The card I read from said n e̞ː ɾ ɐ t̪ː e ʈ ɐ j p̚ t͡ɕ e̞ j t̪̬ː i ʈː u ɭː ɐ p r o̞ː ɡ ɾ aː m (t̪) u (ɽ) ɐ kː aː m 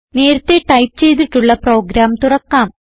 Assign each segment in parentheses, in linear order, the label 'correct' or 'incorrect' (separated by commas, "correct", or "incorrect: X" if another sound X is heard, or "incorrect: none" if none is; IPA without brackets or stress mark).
correct, incorrect: r